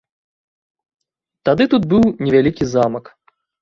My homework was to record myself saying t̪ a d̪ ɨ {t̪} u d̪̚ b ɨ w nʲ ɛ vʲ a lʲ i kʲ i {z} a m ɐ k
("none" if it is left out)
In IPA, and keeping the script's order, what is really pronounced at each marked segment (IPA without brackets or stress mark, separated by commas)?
t̪, z